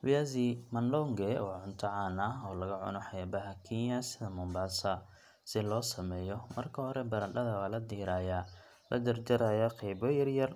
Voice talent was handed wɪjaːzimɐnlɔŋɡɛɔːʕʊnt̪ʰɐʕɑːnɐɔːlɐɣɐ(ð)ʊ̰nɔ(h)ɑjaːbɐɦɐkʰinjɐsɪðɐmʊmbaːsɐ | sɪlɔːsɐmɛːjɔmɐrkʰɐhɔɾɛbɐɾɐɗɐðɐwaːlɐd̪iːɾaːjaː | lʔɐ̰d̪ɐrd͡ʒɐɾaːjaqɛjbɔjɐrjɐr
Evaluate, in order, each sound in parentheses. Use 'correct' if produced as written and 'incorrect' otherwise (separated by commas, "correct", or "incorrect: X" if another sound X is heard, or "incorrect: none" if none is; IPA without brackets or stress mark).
incorrect: ʕ, incorrect: ħ